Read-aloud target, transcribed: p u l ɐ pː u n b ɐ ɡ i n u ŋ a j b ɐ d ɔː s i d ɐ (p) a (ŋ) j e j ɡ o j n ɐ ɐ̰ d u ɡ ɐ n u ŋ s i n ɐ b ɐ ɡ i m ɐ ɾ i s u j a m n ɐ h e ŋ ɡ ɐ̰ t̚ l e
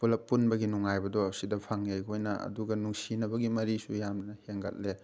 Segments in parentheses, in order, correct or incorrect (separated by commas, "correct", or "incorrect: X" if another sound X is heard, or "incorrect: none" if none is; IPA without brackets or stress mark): incorrect: pʰ, correct